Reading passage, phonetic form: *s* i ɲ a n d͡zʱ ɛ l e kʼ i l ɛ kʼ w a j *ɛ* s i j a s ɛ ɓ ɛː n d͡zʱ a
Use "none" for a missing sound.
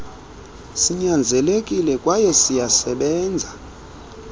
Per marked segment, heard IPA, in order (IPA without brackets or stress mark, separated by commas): s, ɛ